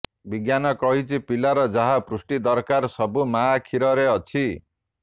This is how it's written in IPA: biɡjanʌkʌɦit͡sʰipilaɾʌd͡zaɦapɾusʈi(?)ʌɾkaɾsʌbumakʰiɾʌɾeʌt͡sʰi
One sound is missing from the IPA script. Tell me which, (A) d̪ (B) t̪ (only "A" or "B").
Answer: A